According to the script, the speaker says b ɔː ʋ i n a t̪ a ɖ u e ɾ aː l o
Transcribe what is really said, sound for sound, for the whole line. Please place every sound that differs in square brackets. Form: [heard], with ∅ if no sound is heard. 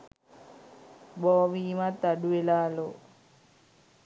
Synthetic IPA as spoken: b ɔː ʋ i [m] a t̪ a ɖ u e [l] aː l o